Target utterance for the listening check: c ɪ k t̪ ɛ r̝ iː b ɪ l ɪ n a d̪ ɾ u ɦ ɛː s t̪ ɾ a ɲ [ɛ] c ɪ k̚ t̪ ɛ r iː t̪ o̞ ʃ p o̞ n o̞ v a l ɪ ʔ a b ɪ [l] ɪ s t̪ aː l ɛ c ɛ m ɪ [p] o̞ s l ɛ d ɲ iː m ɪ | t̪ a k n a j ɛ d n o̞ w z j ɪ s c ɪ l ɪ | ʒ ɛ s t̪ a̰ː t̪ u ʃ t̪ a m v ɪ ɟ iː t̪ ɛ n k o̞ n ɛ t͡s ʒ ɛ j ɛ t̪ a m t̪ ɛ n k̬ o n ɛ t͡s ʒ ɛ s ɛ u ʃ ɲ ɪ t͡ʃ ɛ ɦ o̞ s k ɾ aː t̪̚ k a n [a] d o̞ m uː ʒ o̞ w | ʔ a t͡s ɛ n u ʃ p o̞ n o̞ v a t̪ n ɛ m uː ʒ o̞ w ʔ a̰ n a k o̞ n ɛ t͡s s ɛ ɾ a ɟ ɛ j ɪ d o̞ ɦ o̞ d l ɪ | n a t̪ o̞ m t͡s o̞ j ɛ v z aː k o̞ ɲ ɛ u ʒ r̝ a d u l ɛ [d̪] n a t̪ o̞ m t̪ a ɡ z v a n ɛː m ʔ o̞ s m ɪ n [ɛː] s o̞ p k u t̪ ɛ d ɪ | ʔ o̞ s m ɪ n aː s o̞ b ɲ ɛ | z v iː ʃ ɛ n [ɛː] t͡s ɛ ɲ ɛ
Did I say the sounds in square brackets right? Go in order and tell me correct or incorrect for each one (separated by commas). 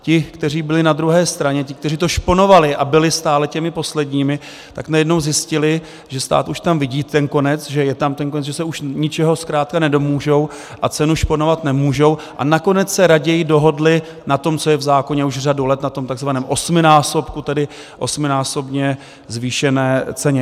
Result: correct, correct, correct, incorrect, incorrect, incorrect, correct